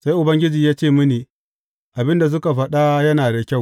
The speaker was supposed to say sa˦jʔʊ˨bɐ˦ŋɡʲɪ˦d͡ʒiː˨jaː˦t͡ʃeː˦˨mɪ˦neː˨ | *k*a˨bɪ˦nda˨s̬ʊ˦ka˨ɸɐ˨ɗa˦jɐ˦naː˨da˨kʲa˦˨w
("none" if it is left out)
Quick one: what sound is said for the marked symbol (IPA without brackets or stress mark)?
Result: ʔ